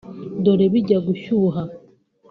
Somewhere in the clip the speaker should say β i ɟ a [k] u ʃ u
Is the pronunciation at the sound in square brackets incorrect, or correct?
incorrect: ɡ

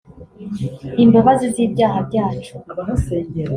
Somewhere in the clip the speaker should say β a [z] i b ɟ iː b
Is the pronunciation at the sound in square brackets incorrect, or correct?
correct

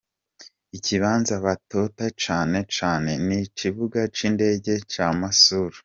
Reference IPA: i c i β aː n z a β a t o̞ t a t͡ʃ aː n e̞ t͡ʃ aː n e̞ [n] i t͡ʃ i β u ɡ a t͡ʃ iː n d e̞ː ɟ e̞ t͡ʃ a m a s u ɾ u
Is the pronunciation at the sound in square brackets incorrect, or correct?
correct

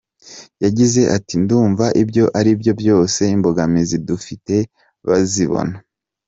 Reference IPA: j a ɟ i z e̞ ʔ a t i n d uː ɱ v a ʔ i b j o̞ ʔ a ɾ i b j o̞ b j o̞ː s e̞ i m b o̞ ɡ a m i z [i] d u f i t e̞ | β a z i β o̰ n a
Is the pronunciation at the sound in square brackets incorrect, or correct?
correct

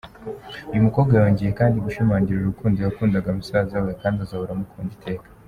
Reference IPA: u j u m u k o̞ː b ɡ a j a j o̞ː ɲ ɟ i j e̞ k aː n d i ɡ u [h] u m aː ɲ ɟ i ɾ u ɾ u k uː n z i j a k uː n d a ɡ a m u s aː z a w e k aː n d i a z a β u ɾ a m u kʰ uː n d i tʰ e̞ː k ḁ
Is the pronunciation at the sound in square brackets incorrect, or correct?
incorrect: ʃ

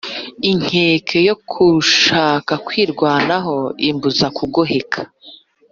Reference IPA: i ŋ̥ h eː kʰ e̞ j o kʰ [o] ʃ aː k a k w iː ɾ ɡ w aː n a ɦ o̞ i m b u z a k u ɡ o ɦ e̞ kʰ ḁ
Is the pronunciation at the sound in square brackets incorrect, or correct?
incorrect: u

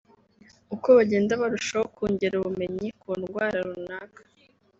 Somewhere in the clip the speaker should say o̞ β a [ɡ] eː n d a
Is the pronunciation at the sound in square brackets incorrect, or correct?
incorrect: ɟ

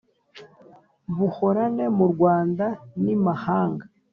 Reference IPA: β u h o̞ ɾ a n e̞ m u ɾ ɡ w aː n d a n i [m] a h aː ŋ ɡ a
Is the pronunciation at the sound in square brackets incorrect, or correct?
correct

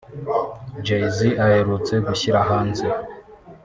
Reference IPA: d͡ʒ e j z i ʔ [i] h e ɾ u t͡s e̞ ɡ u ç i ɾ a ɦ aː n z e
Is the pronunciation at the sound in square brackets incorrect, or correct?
incorrect: a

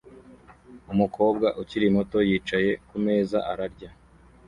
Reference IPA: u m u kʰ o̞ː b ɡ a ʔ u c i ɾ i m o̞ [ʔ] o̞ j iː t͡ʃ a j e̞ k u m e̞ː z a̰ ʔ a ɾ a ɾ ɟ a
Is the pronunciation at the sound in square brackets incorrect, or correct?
incorrect: t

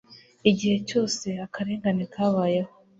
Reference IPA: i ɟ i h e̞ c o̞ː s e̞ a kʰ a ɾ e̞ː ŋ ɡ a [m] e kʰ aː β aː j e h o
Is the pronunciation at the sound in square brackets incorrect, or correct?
incorrect: n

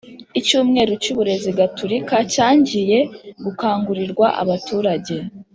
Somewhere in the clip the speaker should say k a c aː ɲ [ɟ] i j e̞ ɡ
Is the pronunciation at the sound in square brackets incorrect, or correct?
correct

